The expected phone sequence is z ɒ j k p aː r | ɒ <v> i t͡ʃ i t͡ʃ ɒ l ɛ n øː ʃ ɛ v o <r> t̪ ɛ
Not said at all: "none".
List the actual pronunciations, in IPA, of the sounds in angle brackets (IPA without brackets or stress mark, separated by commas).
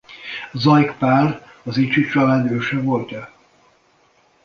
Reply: z, l